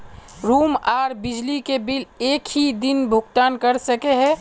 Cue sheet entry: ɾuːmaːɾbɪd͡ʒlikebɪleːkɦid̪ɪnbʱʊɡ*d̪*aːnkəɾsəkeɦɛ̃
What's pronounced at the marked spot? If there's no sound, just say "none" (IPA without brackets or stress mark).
t̪